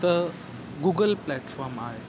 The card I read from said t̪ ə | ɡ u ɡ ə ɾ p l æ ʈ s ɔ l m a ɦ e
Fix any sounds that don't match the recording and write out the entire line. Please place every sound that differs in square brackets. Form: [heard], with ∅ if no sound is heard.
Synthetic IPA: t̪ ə | ɡ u ɡ ə [l] p l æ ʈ [f] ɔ [ɾ] m a ɦ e